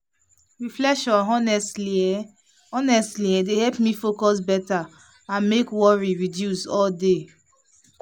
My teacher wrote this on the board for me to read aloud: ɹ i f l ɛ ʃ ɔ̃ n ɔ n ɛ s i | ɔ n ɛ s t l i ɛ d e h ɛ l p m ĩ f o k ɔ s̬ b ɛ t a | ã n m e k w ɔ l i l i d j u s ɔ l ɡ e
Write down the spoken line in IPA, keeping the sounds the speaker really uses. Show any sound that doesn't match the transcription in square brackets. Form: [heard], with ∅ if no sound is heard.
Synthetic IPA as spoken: ɹ i f l ɛ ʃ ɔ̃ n ɔ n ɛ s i | ɔ n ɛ s t l i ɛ d e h ɛ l p m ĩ f o k ɔ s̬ b ɛ t a | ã n m e k w ɔ [ɹ] i [ɹ] i d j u s ɔ l [d] e